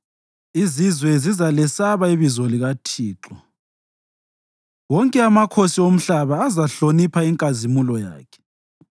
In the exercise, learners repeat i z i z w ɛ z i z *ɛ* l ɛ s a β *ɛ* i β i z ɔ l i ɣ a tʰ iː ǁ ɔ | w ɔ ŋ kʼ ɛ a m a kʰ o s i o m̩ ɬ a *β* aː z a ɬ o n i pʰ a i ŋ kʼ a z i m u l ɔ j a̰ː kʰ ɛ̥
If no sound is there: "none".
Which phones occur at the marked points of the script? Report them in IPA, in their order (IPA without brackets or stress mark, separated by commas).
a, a, β